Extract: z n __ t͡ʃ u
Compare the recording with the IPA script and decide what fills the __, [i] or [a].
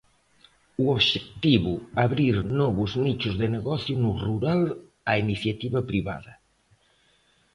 i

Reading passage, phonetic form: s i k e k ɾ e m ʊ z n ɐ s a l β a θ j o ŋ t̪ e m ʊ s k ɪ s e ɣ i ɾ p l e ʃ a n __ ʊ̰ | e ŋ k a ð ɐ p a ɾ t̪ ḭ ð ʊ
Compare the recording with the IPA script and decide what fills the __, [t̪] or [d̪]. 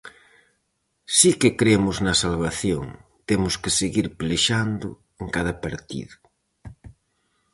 d̪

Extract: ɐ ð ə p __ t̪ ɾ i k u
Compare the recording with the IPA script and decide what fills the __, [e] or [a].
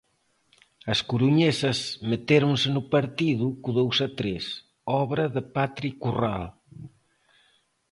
a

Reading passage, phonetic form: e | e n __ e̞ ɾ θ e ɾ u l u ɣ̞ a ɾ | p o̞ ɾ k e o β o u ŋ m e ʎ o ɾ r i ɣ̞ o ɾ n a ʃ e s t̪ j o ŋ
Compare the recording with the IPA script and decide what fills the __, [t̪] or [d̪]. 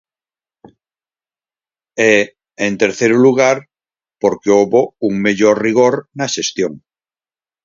t̪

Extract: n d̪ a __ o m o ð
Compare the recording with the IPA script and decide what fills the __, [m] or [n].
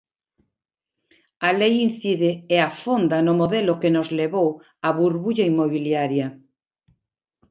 n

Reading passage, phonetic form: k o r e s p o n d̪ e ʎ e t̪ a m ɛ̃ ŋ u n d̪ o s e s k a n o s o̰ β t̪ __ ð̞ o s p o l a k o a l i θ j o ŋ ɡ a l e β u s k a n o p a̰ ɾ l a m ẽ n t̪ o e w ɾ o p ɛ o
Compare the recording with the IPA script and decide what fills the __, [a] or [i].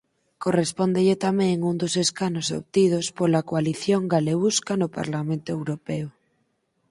i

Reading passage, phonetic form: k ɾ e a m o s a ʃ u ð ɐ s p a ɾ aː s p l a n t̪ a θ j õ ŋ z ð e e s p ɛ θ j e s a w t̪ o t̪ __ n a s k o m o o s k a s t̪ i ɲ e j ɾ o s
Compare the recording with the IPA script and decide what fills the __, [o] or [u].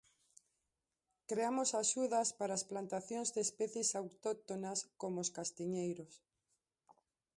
o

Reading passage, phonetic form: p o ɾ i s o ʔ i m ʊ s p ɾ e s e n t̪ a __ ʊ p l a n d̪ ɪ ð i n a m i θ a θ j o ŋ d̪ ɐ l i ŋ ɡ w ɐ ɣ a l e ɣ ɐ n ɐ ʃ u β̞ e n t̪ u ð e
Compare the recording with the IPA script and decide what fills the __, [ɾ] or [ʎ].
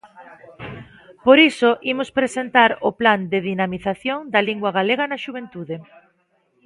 ɾ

